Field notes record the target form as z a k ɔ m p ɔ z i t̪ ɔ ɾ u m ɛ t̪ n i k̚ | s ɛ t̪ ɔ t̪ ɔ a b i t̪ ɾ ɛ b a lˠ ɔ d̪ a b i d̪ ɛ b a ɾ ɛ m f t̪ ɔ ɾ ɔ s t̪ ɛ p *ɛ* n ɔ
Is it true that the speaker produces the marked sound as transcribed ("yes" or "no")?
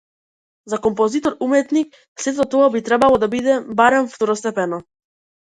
yes